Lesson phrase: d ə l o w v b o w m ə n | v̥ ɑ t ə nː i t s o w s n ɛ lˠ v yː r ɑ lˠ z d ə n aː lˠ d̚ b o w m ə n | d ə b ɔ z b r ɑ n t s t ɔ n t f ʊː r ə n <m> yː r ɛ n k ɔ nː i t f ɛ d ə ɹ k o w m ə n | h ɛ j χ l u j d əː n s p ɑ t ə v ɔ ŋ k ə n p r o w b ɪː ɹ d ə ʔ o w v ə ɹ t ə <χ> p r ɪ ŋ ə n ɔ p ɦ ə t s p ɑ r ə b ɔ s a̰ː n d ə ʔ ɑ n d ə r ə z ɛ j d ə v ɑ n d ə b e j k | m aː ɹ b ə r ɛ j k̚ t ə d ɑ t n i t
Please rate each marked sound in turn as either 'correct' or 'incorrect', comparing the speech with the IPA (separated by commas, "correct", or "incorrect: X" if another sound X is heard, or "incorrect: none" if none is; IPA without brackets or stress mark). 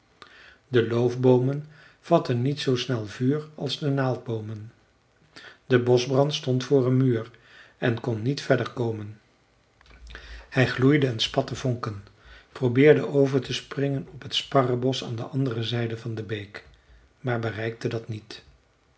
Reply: correct, incorrect: s